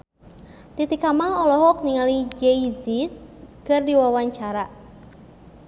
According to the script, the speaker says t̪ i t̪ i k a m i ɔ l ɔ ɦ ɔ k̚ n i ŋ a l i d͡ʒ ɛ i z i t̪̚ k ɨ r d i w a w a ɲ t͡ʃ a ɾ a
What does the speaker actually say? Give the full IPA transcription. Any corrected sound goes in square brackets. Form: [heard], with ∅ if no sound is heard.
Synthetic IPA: t̪ i t̪ i k a m [a] ɔ l ɔ ɦ ɔ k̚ n i ŋ a l i d͡ʒ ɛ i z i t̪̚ k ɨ r d i w a w a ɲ t͡ʃ a ɾ a